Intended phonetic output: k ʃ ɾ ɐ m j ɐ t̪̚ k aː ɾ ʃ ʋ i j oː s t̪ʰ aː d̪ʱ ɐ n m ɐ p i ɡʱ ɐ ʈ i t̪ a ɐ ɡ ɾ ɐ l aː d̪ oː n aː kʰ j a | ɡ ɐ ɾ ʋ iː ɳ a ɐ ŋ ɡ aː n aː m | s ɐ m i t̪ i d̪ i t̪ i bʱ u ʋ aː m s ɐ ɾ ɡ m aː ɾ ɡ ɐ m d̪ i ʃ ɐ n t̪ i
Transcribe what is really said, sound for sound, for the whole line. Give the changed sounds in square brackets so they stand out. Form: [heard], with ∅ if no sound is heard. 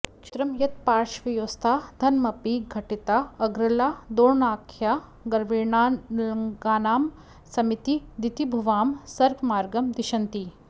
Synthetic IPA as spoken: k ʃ ɾ ɐ m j ɐ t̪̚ [p] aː ɾ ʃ ʋ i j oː s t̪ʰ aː d̪ʱ ɐ n m ɐ p i ɡʱ ɐ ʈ i t̪ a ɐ ɡ ɾ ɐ l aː d̪ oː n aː kʰ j a | ɡ ɐ ɾ ʋ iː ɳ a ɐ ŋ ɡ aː n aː m | s ɐ m i t̪ i d̪ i t̪ i bʱ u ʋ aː m s ɐ ɾ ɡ m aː ɾ ɡ ɐ m d̪ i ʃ ɐ n t̪ i